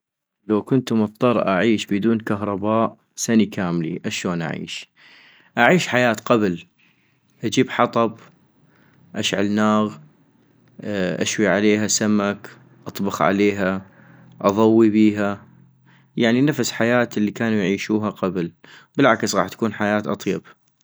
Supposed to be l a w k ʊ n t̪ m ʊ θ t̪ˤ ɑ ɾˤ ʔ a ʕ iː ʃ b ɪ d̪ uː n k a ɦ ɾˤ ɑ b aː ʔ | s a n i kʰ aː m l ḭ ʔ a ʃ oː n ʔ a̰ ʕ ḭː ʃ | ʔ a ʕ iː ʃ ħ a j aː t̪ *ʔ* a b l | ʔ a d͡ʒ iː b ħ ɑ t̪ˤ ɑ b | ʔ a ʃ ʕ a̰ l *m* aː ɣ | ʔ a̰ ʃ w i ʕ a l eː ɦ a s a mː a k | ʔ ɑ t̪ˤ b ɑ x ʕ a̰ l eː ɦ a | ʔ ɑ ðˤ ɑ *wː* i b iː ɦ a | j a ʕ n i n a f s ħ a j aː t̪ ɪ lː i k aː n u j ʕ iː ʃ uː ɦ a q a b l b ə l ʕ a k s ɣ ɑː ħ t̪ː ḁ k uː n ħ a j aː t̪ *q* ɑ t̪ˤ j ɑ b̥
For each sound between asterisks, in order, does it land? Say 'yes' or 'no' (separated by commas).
no, no, yes, no